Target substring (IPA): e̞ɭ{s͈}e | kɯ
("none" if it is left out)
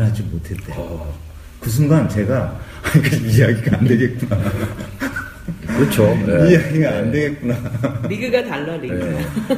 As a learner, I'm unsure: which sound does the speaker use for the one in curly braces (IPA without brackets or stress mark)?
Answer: t͈